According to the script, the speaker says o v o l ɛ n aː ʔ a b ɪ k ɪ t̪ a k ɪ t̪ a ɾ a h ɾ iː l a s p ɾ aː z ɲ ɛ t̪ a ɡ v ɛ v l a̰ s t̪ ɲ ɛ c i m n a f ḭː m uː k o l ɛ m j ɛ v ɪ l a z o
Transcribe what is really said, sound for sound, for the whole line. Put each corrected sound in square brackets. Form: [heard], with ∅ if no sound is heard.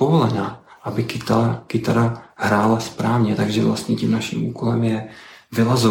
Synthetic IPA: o v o l ɛ n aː ʔ a b ɪ k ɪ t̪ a k ɪ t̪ a ɾ a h ɾ [aː] l a s p ɾ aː [v] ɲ ɛ t̪ a ɡ [ʒ] ɛ v l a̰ s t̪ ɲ ɛ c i m n a [ʃ] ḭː m uː k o l ɛ m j ɛ v ɪ l a z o